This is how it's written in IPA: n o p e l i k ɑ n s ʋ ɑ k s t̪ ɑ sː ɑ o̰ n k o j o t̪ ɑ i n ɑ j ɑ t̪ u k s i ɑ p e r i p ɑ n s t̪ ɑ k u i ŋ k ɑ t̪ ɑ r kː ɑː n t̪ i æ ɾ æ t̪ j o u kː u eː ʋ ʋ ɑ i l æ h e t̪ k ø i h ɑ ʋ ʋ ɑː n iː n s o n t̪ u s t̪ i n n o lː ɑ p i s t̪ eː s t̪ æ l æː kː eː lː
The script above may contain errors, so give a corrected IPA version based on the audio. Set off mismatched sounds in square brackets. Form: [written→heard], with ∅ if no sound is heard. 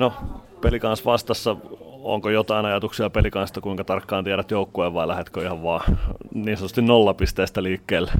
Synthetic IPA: n o p e l i k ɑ n s ʋ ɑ [k→∅] s t̪ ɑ sː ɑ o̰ [n→ŋ] k o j o t̪ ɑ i n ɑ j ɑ t̪ u k s i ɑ p e [r→l] i [p→k] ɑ n s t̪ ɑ k u i ŋ k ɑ t̪ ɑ r kː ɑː n t̪ i æ ɾ æ t̪ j o u kː u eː ʋ ʋ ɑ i l æ h e t̪ k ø i h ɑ ʋ ʋ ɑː n iː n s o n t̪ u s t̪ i n n o lː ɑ p i s t̪ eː s t̪ æ l [æː→iː] kː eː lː